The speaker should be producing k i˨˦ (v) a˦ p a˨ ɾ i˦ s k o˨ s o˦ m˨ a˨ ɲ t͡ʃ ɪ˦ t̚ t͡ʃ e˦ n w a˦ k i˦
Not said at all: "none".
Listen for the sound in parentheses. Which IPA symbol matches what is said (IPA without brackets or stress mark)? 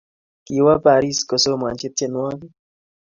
w